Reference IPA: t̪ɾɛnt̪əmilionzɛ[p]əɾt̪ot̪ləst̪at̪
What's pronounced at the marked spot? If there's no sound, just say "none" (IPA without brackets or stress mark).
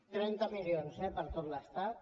p